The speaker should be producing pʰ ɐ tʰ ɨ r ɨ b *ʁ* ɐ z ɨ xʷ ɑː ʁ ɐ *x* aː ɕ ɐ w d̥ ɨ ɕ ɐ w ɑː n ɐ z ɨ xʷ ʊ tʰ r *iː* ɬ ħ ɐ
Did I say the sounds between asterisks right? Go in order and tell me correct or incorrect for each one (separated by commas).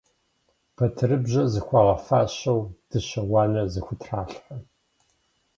incorrect, incorrect, incorrect